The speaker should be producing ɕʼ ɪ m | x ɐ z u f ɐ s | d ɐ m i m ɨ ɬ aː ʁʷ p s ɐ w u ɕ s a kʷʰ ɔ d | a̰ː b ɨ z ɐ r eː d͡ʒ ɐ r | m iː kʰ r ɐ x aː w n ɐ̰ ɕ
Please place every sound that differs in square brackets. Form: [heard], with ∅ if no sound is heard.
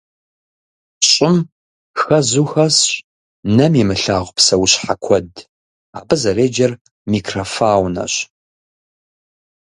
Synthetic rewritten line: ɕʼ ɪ m | x ɐ z u [x] ɐ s | [n] ɐ m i m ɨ ɬ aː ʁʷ p s ɐ w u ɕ [ħ] a kʷʰ ɔ d | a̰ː b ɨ z ɐ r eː d͡ʒ ɐ r | m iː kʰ r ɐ [f] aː w n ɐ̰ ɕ